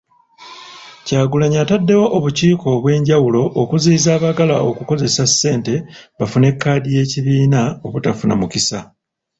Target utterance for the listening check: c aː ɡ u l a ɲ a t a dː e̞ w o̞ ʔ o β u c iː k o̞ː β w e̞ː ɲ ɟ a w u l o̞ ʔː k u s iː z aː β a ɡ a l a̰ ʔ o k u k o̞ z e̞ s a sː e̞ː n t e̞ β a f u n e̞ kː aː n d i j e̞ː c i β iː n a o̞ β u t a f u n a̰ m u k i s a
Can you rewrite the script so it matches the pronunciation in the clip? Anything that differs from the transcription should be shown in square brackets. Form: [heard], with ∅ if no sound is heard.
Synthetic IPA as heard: c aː ɡ u l a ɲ a t a dː e̞ w o̞ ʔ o β u c iː k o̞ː β w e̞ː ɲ ɟ a w u l o̞ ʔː k u [z] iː z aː β a ɡ a l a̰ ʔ o k u k o̞ z e̞ s a sː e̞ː n t e̞ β a f u n e̞ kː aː [∅] d i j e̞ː c i β iː n a o̞ β u t a f u n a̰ m u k i s a